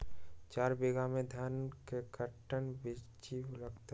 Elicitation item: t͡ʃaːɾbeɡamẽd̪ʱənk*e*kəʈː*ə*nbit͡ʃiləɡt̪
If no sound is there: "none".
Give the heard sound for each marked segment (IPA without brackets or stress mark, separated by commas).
e, ə